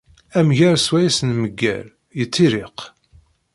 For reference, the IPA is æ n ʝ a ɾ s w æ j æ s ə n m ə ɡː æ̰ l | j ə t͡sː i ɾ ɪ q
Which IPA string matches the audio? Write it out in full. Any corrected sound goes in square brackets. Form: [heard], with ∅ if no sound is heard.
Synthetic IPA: æ [m] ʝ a ɾ s w æ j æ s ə n m ə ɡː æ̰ l | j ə t͡sː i ɾ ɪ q